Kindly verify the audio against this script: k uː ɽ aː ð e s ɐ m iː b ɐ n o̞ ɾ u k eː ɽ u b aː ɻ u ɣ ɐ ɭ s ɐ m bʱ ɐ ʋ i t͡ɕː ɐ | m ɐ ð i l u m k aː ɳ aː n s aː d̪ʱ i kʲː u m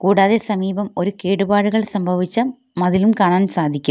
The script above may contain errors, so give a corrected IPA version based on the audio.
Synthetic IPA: k uː ɽ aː ð e s ɐ m iː b ɐ m o̞ ɾ u k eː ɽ u b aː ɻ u ɣ ɐ ɭ s ɐ m bʱ ɐ ʋ i t͡ɕː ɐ | m ɐ ð i l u m k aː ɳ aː n s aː d̪ʱ i kʲː u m